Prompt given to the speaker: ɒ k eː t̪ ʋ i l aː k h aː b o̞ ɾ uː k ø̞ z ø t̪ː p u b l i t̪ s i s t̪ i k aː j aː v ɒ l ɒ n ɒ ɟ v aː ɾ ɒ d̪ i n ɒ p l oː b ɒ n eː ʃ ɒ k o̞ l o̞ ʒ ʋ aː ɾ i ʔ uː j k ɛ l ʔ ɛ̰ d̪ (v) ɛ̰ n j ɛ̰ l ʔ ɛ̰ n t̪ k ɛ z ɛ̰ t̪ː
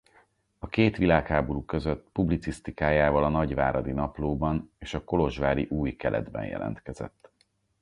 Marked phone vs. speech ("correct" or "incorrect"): incorrect